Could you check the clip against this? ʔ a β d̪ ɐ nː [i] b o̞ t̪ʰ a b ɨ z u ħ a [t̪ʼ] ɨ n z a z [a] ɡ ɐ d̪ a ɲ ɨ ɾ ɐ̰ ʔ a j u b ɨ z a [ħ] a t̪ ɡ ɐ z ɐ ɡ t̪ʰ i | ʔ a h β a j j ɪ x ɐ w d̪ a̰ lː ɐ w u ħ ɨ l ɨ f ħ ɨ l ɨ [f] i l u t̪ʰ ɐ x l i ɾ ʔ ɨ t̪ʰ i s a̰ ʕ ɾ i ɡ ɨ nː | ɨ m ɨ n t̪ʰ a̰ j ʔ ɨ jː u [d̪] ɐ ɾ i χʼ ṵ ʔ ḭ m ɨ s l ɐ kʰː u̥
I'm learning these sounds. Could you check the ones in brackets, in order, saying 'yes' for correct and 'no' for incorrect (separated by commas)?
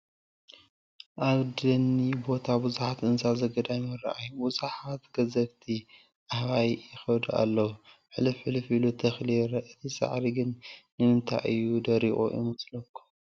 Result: yes, no, no, yes, yes, yes